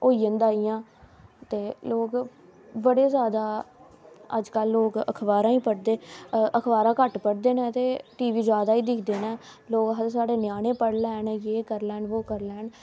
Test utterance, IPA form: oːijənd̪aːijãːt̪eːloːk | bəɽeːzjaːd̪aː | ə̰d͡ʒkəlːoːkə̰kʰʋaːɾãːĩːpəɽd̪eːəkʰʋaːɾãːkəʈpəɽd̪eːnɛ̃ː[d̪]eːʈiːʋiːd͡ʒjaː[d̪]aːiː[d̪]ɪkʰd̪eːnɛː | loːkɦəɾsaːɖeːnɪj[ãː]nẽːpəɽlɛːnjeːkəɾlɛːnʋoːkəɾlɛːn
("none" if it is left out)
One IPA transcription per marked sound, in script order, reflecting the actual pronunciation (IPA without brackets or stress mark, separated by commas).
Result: t̪, d̪, d̪, aː